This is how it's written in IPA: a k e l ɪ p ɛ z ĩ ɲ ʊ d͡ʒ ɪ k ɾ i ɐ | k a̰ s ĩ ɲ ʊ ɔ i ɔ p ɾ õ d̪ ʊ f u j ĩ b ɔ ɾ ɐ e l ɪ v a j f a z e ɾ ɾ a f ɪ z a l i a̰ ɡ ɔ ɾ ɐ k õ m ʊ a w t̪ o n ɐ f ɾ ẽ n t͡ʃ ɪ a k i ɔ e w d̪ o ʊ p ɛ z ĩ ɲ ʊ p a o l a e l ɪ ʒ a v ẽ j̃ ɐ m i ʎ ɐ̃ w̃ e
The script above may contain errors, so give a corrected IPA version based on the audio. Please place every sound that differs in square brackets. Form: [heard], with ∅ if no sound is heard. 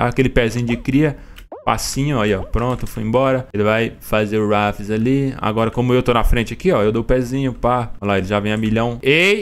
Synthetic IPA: a k e l ɪ p ɛ z ĩ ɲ ʊ d͡ʒ ɪ k ɾ i ɐ | [p] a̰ s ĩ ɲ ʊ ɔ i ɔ p ɾ õ [t̪] ʊ f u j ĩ b ɔ ɾ ɐ e l ɪ v a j f a z e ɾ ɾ a f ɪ z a l i a̰ ɡ ɔ ɾ ɐ k õ m ʊ [e] w t̪ o n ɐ f ɾ ẽ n t͡ʃ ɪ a k i ɔ e w d̪ o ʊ p ɛ z ĩ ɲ ʊ p a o l a e l ɪ ʒ a v ẽ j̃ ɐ m i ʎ ɐ̃ w̃ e